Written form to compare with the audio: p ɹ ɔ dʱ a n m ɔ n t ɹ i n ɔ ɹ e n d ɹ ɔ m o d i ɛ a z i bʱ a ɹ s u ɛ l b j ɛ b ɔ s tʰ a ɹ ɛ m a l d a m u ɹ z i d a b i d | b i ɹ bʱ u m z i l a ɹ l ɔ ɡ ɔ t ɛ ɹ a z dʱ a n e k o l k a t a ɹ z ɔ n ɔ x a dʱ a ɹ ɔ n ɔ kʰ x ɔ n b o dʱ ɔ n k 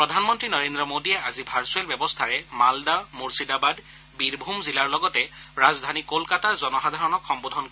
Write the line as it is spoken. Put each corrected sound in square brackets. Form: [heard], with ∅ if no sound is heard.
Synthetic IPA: p ɹ ɔ dʱ a n m ɔ n t ɹ i n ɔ ɹ e n d ɹ ɔ m o d i ɛ a z i bʱ a ɹ s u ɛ l b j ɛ b ɔ s tʰ a ɹ ɛ m a l d a m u ɹ [s] i d a b [a] d | b i ɹ bʱ u m z i l a ɹ l ɔ ɡ ɔ t ɛ ɹ a z dʱ a n [i] k o l k a t a ɹ z ɔ n ɔ x a dʱ a ɹ ɔ n ɔ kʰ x ɔ [m] b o dʱ ɔ n k

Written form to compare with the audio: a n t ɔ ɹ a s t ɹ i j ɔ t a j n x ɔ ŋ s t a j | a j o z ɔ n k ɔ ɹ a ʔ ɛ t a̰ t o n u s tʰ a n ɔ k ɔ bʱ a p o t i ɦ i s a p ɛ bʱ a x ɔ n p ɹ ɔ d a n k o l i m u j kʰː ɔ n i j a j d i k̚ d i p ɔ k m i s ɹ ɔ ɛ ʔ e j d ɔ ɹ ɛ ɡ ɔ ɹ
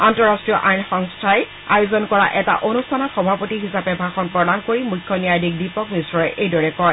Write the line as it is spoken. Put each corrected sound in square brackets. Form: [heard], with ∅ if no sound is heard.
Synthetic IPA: a n t ɔ ɹ a s t ɹ i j ɔ [ʔ] a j n x ɔ ŋ s [tʰ] a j | a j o z ɔ n k ɔ ɹ a ʔ ɛ t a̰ [ʔ] o n u s tʰ a n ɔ [x] ɔ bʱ a p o t i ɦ i s a p ɛ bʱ a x ɔ n p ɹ ɔ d a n k o [ɹ] i m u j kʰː ɔ n i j a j d i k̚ d i p ɔ k m i s ɹ ɔ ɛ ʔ e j d ɔ ɹ ɛ [k] ɔ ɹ

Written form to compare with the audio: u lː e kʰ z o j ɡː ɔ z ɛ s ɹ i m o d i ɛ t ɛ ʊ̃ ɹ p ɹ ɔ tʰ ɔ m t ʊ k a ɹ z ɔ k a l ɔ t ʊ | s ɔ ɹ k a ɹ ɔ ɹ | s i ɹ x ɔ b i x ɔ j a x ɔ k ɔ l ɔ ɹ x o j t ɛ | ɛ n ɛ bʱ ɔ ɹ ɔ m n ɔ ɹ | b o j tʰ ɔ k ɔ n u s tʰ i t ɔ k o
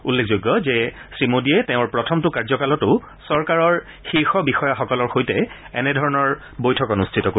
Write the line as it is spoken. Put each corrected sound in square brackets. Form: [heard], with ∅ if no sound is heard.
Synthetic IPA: u lː e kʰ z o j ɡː ɔ z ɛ s ɹ i m o d i ɛ t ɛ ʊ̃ ɹ p ɹ ɔ tʰ ɔ m t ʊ k a ɹ z ɔ k a l ɔ t ʊ | s ɔ ɹ k a ɹ ɔ ɹ | [x] i ɹ x ɔ b i x ɔ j a x ɔ k ɔ l ɔ ɹ x o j t ɛ | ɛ n ɛ [dʱ] ɔ ɹ ɔ [∅] n ɔ ɹ | b o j tʰ ɔ k ɔ n u s tʰ i t ɔ k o

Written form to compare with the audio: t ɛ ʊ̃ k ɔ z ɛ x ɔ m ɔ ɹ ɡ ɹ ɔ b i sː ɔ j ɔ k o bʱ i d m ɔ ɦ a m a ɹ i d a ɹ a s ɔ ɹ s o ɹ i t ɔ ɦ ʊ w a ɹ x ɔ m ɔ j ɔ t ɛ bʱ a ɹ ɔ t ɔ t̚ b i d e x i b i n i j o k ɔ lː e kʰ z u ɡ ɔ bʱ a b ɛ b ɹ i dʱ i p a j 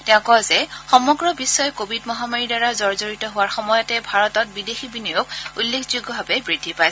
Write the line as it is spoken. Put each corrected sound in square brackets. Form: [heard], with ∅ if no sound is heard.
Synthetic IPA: t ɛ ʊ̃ k ɔ z ɛ x ɔ m ɔ [∅] ɡ ɹ ɔ b i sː ɔ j ɔ k o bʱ i d m ɔ ɦ a m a ɹ i d a ɹ a [z] ɔ ɹ [z] o ɹ i t ɔ ɦ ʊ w a ɹ x ɔ m ɔ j ɔ t ɛ bʱ a ɹ ɔ t ɔ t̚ b i d e x i b i n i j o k [u] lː e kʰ z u ɡ ɔ bʱ a b ɛ b ɹ i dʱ i p a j

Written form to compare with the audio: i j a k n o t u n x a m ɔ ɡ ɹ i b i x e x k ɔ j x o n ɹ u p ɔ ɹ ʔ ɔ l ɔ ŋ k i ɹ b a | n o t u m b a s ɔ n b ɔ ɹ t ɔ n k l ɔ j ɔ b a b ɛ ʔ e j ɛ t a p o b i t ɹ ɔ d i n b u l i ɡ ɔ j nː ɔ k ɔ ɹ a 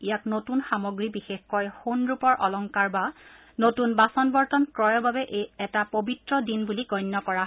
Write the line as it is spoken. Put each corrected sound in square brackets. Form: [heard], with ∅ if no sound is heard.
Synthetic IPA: i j a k n o t u n x a m ɔ ɡ ɹ i b i x e x k ɔ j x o n ɹ u p ɔ ɹ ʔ ɔ l ɔ ŋ k [a] ɹ b a | n o t u [n] b a s ɔ n b ɔ ɹ t ɔ n k [ɹ] ɔ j ɔ b a b ɛ ʔ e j ɛ t a p o b i t ɹ ɔ d i n b u l i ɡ ɔ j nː ɔ k ɔ ɹ a

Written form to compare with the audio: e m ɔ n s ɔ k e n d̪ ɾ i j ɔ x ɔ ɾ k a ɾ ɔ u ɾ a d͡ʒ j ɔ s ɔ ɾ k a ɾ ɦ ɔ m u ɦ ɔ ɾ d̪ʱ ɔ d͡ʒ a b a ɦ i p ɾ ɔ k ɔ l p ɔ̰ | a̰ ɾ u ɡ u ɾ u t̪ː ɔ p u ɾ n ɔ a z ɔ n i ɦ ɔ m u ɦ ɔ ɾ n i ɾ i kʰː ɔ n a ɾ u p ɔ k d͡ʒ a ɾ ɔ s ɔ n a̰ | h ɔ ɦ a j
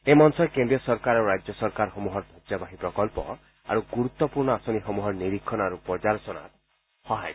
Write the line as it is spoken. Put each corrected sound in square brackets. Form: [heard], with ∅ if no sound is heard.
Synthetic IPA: e m ɔ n s ɔ k e n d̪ ɾ i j ɔ [s] ɔ ɾ k a ɾ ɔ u ɾ a d͡ʒ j ɔ s ɔ ɾ k a ɾ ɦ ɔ m u ɦ ɔ ɾ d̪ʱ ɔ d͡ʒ a b a ɦ i p ɾ ɔ k ɔ l p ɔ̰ | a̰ ɾ u ɡ u ɾ u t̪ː ɔ p u ɾ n ɔ a [s] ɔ n i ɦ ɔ m u ɦ ɔ ɾ n i ɾ i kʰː ɔ n a ɾ u p ɔ [∅] d͡ʒ a ɾ ɔ s ɔ n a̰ | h ɔ ɦ a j

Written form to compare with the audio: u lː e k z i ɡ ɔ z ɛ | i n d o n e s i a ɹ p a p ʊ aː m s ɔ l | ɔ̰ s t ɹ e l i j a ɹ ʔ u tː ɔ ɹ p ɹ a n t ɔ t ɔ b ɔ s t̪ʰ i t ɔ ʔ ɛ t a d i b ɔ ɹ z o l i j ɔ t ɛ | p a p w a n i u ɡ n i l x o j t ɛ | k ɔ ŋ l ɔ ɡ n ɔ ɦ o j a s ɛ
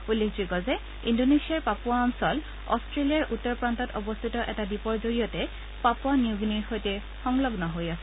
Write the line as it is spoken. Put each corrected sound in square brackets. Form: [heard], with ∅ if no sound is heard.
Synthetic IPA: u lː e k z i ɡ ɔ z ɛ | i n d o n e s i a ɹ p a p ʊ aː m s ɔ l | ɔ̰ s t ɹ e l i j a ɹ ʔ u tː ɔ ɹ p ɹ a n t ɔ t ɔ b ɔ s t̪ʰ i t ɔ ʔ ɛ t a d i [p] ɔ ɹ z o [ɹ] i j ɔ t ɛ | p a p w a n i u ɡ n i [ɹ] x o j t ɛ | [x] ɔ ŋ l ɔ ɡ n ɔ ɦ o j a s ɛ

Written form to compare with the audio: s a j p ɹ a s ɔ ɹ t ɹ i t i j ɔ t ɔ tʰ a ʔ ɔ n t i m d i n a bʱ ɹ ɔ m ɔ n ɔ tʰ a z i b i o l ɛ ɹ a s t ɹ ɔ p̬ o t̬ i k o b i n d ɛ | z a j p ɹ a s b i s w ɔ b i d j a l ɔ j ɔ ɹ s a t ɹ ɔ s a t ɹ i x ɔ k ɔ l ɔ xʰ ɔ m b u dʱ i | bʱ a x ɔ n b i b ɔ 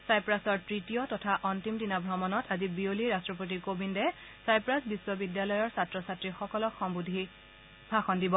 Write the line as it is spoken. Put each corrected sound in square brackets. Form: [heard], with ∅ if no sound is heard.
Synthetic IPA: s a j p ɹ a s ɔ ɹ t ɹ i t i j ɔ t ɔ tʰ a ʔ ɔ n t i m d i n a bʱ ɹ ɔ m ɔ n ɔ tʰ a z i b i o l [i] ɹ a s t ɹ ɔ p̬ o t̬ i k o b i n d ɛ | [s] a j p ɹ a s b i s w ɔ b i d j a l ɔ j ɔ ɹ s a t ɹ ɔ s a t ɹ i x ɔ k ɔ l ɔ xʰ ɔ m b u dʱ i | bʱ a x ɔ n [d] i b ɔ

